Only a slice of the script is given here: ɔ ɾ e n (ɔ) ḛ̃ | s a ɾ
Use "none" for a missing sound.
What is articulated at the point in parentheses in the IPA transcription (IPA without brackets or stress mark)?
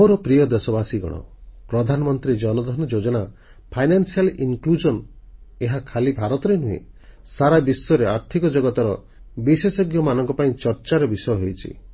u